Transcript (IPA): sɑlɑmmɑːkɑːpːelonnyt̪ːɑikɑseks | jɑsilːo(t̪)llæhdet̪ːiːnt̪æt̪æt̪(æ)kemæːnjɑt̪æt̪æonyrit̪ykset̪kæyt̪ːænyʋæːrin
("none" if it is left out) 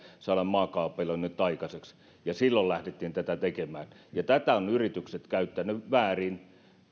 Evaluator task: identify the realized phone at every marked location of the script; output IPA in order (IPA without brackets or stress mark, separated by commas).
none, e